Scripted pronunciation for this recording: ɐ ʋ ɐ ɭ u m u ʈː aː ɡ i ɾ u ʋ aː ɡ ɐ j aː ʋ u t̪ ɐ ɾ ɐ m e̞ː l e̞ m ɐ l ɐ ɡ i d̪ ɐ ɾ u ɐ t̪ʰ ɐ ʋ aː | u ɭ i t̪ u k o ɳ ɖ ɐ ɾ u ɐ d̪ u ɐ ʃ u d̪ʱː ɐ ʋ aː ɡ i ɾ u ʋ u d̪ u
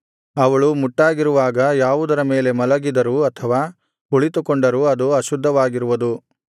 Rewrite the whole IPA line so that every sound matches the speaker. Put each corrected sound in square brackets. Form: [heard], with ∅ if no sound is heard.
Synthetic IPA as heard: ɐ ʋ ɐ ɭ u m u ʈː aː ɡ i ɾ u ʋ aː ɡ ɐ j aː ʋ u [d̪] ɐ ɾ ɐ m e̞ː l e̞ m ɐ l ɐ ɡ i d̪ ɐ ɾ u ɐ t̪ʰ ɐ ʋ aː | u ɭ i t̪ u k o ɳ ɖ ɐ ɾ u ɐ d̪ u ɐ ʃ u d̪ʱː ɐ ʋ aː ɡ i ɾ u ʋ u d̪ u